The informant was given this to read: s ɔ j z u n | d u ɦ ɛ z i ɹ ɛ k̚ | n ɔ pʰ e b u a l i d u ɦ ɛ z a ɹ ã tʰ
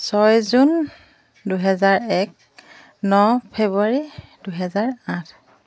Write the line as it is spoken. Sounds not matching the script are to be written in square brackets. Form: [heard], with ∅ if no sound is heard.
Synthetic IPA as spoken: s ɔ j z u n | d u ɦ ɛ z [a] ɹ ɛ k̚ | n ɔ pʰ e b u a [ɹ] i d u ɦ ɛ z a ɹ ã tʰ